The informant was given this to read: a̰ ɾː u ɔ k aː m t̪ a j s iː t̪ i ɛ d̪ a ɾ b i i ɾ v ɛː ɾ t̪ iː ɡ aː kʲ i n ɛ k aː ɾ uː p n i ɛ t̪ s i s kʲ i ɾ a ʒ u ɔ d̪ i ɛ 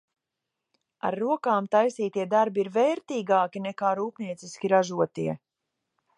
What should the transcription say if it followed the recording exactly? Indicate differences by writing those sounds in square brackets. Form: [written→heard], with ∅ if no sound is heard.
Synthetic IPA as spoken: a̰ ɾː u ɔ k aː m t̪ a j s iː t̪ i ɛ d̪ a ɾ b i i ɾ v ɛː ɾ t̪ iː ɡ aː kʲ i n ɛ k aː ɾ uː p n i ɛ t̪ s i s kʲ i ɾ a ʒ u ɔ [d̪→t̪] i ɛ